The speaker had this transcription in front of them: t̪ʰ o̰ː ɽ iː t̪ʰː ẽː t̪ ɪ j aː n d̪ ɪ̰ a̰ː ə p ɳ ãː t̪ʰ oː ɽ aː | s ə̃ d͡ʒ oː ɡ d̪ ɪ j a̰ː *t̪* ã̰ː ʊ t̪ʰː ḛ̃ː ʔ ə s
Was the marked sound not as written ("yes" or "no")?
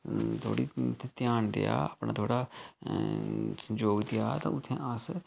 no